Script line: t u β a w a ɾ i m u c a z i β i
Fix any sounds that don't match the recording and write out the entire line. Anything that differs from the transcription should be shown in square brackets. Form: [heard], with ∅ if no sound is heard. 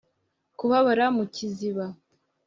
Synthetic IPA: [k] u β a [β] a ɾ [a] m u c [i] z i β [a]